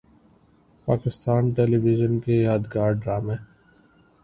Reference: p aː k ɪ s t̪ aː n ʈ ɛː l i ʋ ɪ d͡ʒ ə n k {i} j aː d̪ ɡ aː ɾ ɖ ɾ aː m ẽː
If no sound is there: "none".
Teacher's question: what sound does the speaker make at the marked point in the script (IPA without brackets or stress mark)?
e